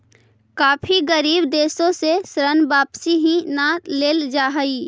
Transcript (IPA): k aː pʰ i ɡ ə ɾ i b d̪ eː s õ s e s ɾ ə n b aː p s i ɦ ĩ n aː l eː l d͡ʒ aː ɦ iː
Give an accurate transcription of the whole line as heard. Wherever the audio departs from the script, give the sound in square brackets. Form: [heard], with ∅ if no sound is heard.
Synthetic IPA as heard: k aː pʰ i ɡ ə ɾ [iː] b d̪ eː s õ s e s ɾ ə n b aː p s i ɦ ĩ n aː l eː l d͡ʒ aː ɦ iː

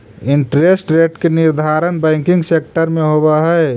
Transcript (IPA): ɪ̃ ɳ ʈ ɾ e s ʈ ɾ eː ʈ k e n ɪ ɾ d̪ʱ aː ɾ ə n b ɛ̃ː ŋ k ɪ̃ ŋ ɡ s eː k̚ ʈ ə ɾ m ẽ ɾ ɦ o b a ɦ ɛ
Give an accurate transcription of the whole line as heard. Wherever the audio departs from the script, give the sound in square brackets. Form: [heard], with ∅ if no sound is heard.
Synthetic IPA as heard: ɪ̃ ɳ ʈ ɾ e s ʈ ɾ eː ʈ k e n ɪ ɾ d̪ʱ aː ɾ ə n b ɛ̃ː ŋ k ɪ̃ ŋ ɡ s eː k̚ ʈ ə ɾ m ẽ [∅] ɦ o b a ɦ ɛ

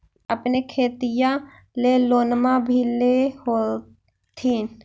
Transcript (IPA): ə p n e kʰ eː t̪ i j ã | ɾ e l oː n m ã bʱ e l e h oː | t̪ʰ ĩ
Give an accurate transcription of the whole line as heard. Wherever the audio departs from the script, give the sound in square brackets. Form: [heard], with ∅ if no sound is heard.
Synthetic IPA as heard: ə p n e kʰ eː t̪ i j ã | [l] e l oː n m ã bʱ [i] l e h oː | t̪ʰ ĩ

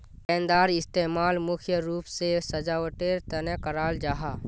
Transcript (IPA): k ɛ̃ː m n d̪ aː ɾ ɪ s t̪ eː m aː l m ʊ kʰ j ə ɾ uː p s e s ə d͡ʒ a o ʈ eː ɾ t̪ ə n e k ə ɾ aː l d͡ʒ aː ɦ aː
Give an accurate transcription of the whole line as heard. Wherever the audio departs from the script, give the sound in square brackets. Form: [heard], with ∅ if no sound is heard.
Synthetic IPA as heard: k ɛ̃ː [∅] n d̪ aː ɾ ɪ s t̪ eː m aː l m ʊ kʰ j ə ɾ uː p s e s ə d͡ʒ a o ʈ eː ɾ t̪ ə n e k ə ɾ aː l d͡ʒ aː ɦ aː

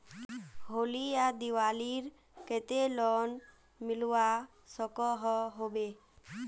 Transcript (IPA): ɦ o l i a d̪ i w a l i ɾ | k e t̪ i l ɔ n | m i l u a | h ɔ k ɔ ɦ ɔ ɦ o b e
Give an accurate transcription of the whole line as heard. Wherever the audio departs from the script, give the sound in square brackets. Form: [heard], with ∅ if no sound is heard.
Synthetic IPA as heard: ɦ o l i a d̪ i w a l i ɾ | k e t̪ [e] l ɔ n | m i l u a | [s] ɔ k ɔ ɦ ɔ ɦ o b e

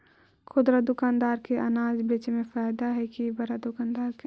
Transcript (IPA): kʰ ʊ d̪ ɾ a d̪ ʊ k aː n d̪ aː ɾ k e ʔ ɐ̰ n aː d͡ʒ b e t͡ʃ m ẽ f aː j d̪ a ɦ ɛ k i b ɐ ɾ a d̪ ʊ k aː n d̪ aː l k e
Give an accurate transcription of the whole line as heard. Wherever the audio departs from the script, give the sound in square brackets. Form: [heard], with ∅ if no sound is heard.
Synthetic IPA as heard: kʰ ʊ d̪ ɾ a d̪ ʊ k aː n d̪ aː ɾ k e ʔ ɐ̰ n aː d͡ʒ b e t͡ʃ m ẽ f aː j d̪ a ɦ ɛ k i b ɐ ɾ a d̪ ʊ k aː n d̪ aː [ɾ] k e

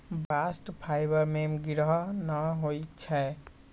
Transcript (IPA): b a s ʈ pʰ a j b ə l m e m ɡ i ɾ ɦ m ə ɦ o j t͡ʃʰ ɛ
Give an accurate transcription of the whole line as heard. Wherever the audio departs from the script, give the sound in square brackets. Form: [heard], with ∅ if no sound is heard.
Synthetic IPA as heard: b a s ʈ pʰ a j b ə [ɾ] m e m ɡ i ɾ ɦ [n] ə ɦ o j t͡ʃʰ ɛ

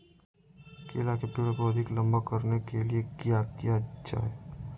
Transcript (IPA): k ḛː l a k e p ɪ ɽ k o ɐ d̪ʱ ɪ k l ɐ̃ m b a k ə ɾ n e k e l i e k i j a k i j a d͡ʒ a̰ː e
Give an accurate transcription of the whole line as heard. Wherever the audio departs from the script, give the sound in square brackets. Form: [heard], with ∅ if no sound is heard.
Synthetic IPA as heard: k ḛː l a k e p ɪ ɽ k o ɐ d̪ʱ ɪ k l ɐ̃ m b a k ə ɾ n e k e l i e k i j a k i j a d͡ʒ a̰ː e

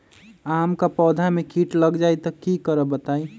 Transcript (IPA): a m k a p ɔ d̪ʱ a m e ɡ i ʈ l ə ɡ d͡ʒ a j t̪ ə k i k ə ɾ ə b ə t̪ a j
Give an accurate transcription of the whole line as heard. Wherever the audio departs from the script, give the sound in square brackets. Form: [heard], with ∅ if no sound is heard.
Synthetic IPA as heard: a m k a p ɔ d̪ʱ a m e [k] i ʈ l ə ɡ d͡ʒ a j t̪ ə k i k ə ɾ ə b ə t̪ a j

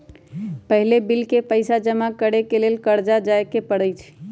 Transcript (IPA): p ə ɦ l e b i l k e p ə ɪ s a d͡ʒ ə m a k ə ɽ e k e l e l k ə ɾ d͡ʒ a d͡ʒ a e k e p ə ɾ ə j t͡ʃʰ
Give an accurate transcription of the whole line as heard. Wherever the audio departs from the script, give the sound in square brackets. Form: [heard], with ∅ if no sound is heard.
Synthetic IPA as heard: p ə ɦ l e b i l k e p ə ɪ s a d͡ʒ ə m a k ə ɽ e k e l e l k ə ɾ d͡ʒ a d͡ʒ a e k e p ə [ɽ] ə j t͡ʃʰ

